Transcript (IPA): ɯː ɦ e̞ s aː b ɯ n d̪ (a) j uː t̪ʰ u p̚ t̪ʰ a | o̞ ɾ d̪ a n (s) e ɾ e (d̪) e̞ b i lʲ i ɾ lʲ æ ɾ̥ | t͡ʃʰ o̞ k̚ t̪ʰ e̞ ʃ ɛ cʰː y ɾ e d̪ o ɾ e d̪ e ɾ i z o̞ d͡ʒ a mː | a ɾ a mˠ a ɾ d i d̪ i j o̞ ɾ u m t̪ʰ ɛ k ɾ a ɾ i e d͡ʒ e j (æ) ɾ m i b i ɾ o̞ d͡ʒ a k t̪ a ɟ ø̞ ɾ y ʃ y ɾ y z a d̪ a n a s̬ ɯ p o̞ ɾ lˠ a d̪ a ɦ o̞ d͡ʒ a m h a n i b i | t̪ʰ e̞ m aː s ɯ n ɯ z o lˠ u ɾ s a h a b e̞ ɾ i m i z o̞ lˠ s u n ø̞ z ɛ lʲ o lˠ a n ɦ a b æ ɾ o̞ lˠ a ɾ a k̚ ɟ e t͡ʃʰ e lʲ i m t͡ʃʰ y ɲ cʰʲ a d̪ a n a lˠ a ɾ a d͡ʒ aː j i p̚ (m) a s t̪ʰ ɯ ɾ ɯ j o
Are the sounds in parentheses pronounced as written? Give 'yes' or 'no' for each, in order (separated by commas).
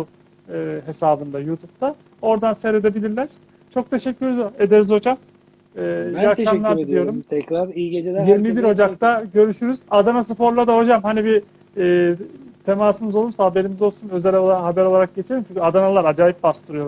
yes, yes, yes, no, no